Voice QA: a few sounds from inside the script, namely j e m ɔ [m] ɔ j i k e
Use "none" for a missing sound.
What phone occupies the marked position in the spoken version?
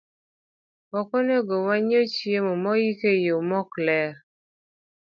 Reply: m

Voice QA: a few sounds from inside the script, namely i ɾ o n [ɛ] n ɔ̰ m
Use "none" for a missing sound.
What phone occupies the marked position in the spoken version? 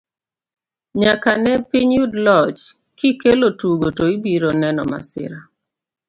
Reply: ɛ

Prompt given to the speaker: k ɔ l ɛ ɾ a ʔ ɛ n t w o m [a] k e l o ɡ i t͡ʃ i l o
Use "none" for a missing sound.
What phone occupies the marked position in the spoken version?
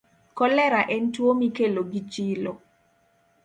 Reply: i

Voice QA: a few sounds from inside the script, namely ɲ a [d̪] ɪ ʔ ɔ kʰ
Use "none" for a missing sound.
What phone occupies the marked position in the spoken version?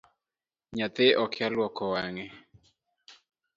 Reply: t̪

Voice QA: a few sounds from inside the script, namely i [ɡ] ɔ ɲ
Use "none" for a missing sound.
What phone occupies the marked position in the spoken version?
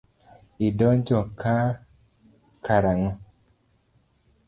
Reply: d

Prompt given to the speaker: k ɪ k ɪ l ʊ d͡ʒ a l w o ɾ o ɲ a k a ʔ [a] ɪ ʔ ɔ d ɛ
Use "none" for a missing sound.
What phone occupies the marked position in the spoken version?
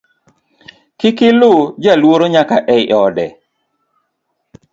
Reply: ɛ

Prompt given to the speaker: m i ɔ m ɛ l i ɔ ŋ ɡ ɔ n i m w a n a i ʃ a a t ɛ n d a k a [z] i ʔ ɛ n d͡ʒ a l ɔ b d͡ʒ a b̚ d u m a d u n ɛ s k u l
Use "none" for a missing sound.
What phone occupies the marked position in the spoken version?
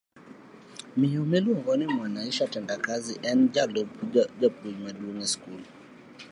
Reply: z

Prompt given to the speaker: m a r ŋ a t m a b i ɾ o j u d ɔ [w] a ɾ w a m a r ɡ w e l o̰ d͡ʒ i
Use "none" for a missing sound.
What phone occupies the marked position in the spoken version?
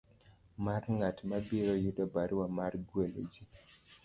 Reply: b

